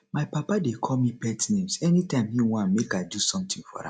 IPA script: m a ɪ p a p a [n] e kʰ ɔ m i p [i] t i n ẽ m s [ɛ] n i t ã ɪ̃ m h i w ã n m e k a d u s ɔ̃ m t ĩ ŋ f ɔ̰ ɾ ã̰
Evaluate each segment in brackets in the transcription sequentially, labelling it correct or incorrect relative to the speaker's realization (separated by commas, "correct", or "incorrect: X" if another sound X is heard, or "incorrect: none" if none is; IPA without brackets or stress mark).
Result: incorrect: d, incorrect: ɛ, correct